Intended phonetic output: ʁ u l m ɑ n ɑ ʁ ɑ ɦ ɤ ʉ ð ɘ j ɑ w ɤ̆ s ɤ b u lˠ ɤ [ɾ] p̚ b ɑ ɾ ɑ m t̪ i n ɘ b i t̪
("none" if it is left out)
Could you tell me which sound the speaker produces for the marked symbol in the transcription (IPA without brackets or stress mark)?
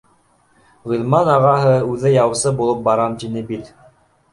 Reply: none